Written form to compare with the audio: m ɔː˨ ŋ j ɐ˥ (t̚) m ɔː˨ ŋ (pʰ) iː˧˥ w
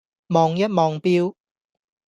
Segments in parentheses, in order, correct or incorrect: correct, incorrect: p

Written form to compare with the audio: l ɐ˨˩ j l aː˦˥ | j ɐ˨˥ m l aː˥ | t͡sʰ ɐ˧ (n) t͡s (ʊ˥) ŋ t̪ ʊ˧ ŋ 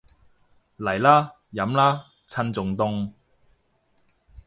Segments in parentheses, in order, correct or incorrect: correct, incorrect: ʊ˨

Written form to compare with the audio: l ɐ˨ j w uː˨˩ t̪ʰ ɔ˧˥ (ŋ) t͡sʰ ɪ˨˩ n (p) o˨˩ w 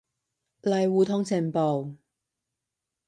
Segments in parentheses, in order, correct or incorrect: correct, correct

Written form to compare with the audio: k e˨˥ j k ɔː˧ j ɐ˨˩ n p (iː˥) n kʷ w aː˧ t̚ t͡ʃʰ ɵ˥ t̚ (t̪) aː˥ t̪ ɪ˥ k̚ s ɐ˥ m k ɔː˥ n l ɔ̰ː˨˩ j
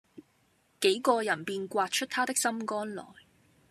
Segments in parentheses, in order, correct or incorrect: incorrect: iː˨, incorrect: t̪ʰ

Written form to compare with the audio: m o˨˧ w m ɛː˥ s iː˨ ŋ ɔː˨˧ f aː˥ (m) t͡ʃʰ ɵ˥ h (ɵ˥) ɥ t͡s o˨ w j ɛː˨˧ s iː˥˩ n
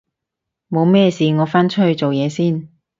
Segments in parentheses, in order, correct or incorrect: incorrect: n, incorrect: ɵ˨˧

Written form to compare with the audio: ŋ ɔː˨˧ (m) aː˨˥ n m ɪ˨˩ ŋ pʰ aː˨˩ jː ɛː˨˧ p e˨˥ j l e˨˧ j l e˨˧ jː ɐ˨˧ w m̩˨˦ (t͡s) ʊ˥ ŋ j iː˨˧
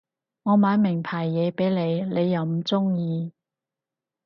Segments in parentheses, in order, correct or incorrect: correct, correct

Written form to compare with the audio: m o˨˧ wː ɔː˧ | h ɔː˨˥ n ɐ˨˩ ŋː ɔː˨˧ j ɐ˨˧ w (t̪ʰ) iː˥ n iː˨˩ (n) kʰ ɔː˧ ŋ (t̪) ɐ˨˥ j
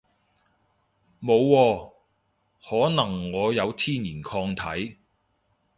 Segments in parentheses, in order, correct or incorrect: correct, correct, incorrect: t̪ʰ

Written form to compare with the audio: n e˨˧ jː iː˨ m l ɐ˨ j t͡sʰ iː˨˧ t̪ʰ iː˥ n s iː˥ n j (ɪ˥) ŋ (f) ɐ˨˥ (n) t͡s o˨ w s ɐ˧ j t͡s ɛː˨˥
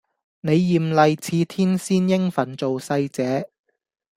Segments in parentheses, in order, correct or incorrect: correct, correct, correct

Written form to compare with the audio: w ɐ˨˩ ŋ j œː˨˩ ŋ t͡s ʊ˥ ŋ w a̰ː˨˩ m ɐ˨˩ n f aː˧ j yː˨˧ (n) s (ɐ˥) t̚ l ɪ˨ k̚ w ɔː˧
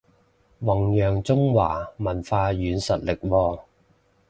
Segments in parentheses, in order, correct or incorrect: correct, incorrect: ɐ˨

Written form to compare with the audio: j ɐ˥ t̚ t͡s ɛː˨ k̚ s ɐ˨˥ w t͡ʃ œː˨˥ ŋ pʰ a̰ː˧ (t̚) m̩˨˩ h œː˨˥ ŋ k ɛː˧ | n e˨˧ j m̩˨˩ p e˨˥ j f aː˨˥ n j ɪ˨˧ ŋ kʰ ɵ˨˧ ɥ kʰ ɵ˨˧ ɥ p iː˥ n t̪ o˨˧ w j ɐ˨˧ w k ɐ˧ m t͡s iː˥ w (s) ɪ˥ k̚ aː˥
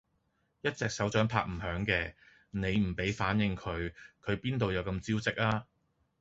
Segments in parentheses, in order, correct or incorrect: incorrect: k̚, incorrect: t͡s

